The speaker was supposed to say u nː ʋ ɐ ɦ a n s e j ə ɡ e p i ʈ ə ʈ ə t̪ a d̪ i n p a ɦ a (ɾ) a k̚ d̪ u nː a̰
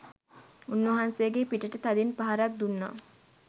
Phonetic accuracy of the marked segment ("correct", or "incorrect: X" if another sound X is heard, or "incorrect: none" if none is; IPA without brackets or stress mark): correct